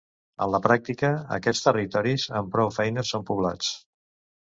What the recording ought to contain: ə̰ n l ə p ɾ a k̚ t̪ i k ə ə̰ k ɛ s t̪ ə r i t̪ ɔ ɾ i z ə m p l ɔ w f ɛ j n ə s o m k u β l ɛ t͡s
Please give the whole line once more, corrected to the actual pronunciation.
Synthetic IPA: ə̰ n l ə p ɾ a k̚ t̪ i k ə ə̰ k ɛ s t̪ ə r i t̪ ɔ ɾ i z ə m p ɾ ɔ w f ɛ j n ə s o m p u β l a t͡s